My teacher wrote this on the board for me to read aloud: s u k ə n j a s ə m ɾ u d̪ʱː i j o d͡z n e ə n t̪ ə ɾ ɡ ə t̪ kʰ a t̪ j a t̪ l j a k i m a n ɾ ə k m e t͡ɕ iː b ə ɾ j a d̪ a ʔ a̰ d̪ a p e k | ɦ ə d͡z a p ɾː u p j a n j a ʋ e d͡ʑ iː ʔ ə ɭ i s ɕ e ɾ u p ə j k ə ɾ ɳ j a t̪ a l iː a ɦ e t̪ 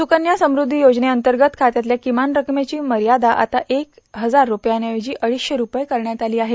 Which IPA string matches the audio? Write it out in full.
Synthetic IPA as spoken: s u k ə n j a s ə m ɾ u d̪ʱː i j o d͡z n e ə n t̪ ə ɾ ɡ ə t̪ kʰ a t̪ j a t̪ l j a k i m a n ɾ ə k m e t͡ɕ iː m ə ɾ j a d̪ a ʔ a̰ t̪ a ʔ e k | ɦ ə d͡z a ɾː u p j a n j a ʋ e d͡ʑ iː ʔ ə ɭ i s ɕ e ɾ u p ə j k ə ɾ ɳ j a t̪ a l iː a ɦ e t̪